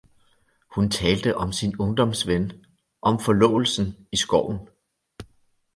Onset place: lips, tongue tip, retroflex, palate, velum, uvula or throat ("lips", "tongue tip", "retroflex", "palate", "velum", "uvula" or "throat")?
throat